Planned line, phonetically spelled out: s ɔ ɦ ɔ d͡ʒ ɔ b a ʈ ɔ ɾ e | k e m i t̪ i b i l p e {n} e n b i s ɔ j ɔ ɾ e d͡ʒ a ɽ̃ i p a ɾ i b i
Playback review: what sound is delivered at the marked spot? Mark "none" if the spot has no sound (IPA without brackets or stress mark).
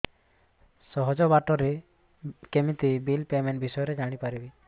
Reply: m